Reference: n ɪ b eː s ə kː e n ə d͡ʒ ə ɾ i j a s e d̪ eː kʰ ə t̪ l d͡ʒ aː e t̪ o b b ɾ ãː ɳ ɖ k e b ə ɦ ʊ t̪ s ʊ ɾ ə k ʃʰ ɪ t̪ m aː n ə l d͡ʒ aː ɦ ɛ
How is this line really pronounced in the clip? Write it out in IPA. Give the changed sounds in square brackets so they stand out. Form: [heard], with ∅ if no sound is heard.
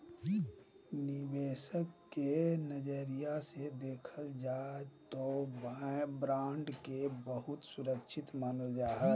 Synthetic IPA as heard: n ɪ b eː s ə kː e n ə d͡ʒ ə ɾ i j a s e d̪ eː kʰ ə [∅] l d͡ʒ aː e t̪ o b b ɾ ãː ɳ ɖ k e b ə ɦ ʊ t̪ s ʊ ɾ ə k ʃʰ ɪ t̪ m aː n ə l d͡ʒ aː ɦ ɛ